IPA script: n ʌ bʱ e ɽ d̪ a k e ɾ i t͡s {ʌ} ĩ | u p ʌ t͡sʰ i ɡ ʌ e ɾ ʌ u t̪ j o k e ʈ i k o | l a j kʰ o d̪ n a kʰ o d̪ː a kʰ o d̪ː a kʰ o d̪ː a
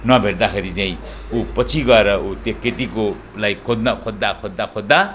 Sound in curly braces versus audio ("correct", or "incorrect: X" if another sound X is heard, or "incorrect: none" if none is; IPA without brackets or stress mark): incorrect: a